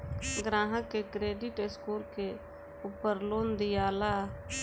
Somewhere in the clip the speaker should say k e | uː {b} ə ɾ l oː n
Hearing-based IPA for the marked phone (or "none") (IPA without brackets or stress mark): p